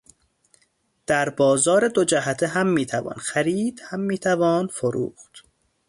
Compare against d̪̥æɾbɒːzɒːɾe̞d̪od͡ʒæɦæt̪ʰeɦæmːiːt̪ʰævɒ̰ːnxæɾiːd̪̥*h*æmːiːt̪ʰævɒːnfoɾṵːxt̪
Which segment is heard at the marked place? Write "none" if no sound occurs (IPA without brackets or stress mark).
h